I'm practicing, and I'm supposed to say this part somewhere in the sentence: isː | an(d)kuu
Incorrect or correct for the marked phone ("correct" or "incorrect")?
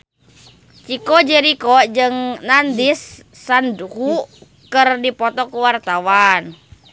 correct